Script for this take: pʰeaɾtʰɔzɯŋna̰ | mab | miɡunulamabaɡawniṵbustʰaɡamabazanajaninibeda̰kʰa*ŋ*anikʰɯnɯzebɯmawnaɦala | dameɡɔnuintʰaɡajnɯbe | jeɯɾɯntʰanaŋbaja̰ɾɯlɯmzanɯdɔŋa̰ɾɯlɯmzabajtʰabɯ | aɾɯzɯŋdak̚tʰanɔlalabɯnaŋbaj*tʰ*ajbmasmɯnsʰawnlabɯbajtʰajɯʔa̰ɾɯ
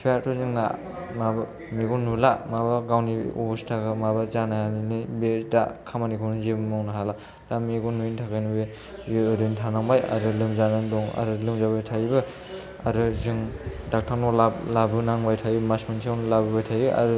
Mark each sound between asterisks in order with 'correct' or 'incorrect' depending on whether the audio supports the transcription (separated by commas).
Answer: incorrect, correct